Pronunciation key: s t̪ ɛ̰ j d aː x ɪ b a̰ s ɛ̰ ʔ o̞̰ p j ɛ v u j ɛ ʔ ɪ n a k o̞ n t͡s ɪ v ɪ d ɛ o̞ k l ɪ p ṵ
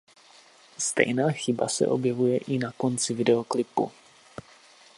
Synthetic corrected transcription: s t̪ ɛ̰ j n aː x ɪ b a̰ s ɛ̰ ʔ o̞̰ b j ɛ v u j ɛ ʔ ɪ n a k o̞ n t͡s ɪ v ɪ d ɛ o̞ k l ɪ p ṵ